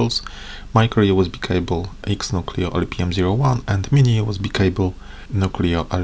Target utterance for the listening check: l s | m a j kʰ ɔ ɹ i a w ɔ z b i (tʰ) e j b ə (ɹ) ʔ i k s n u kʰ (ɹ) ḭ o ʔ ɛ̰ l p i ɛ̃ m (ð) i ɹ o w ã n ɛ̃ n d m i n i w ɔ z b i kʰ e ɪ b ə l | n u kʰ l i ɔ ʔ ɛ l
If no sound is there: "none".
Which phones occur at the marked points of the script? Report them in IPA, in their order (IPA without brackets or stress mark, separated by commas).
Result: kʰ, l, l, z